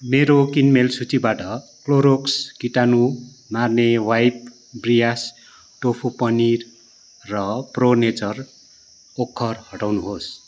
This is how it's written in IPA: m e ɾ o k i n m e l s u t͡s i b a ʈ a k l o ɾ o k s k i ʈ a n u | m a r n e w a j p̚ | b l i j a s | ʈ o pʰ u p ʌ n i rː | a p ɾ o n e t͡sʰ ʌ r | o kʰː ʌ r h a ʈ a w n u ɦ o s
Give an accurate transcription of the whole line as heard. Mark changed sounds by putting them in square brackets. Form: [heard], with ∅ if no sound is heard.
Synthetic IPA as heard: m e ɾ o k i n m e l s u t͡s i b a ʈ [ʌ] k l o ɾ o k s k i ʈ a n u | m a r n e w a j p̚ | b [r] i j a s | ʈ o pʰ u p ʌ n i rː | [ʌ] p [r] o n e [t͡s] ʌ r | o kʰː ʌ r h [ʌ] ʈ a w n u ɦ o s

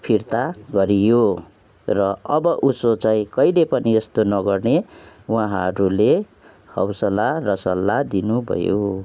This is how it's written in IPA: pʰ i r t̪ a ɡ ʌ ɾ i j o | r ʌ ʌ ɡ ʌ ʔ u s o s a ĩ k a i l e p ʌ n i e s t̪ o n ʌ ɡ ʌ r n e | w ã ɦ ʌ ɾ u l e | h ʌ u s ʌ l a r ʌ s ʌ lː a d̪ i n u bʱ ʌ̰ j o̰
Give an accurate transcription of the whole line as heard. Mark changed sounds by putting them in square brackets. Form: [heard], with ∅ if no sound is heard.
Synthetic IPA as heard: pʰ i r t̪ a ɡ ʌ ɾ i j o | r ʌ ʌ [b] ʌ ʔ u s o [t͡s] a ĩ k [ʌ] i l e p ʌ n i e s t̪ o n ʌ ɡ ʌ r n e | w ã ɦ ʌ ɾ u l e | h ʌ [w] s ʌ l a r ʌ s ʌ lː a d̪ i n u bʱ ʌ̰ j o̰

